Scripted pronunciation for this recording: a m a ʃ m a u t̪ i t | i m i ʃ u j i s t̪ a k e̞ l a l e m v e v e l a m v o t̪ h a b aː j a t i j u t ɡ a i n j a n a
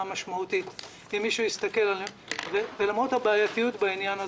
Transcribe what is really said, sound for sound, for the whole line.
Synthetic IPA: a m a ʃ m a u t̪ i t | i m i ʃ u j i s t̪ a k e̞ l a l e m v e v e l a m ʁ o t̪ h a b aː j a t i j u t b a i n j a n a